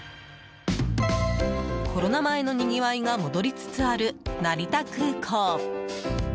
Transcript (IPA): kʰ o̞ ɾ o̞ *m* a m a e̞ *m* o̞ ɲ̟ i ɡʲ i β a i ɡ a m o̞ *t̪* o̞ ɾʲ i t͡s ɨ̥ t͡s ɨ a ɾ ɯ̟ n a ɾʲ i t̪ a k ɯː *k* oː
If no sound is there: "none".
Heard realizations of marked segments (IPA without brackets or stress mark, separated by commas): n, n, d̪, kʰ